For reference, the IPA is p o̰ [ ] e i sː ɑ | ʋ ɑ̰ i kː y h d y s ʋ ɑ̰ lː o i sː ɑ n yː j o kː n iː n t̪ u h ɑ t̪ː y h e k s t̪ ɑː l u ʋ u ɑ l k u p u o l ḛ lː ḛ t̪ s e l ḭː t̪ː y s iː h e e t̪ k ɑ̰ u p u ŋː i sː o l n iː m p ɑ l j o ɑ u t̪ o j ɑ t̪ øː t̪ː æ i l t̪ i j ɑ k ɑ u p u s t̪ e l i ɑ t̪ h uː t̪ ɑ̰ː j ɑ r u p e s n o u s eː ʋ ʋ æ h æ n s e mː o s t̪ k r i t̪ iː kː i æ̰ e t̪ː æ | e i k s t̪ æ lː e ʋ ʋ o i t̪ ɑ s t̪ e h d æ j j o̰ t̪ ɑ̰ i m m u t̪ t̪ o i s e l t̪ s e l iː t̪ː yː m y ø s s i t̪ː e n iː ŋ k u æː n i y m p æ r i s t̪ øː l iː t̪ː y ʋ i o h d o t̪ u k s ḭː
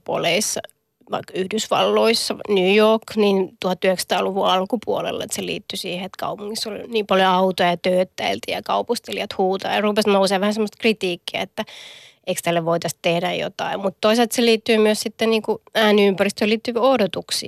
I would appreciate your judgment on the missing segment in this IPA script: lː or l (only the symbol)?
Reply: l